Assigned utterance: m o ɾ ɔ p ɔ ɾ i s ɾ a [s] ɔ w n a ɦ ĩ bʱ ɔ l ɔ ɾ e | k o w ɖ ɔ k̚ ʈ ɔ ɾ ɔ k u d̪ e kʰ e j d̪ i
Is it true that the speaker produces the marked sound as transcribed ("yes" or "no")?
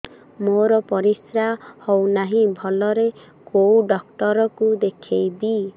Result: no